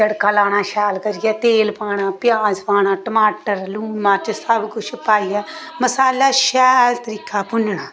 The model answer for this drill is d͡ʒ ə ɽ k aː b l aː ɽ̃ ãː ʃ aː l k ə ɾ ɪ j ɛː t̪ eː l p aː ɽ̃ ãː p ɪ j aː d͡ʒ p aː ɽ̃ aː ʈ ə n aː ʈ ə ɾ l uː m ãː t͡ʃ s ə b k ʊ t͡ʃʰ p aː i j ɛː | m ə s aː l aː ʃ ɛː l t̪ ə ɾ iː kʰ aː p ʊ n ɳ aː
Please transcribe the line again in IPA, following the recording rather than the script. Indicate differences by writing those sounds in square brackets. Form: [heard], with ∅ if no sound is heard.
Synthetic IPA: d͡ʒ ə ɽ k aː [∅] l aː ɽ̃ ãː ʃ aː l k ə ɾ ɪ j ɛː t̪ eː l p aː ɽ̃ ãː p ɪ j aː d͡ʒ p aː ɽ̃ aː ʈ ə [m] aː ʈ ə ɾ l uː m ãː t͡ʃ s ə b k ʊ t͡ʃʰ p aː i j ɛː | m ə s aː l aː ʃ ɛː l t̪ ə ɾ iː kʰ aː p ʊ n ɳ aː